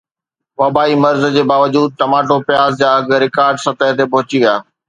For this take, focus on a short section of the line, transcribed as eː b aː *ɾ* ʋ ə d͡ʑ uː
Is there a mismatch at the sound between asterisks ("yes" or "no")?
yes